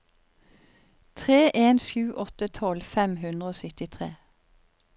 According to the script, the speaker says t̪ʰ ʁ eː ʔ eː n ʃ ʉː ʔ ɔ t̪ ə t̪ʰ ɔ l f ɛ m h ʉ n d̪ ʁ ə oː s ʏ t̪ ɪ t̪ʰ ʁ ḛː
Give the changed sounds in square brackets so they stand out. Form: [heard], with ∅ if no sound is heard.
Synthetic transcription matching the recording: t̪ʰ ʁ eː ʔ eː n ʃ ʉː ʔ ɔ t̪ ə t̪ʰ ɔ l f ɛ m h ʉ n d̪ ʁ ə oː s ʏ t̪ ɪ t̪ʰ ʁ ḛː